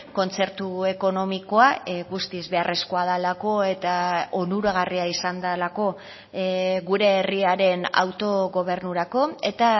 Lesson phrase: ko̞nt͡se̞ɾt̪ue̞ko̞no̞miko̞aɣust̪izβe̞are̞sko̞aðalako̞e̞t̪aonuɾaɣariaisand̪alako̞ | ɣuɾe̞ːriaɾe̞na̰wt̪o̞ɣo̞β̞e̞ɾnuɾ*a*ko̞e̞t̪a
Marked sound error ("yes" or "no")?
no